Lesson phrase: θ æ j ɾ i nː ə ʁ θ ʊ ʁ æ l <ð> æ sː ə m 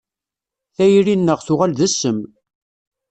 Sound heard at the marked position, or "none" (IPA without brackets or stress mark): ð